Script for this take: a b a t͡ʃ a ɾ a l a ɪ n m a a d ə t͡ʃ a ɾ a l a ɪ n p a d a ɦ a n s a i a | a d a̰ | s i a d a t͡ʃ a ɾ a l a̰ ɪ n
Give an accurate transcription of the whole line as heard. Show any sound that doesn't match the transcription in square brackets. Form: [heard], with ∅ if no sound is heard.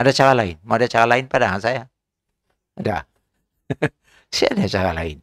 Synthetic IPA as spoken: a [d] a t͡ʃ a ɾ a l a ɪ n m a a d [a] t͡ʃ a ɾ a l a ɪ n p a d a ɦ a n s a [j] a | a d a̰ | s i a d a t͡ʃ a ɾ a l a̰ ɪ n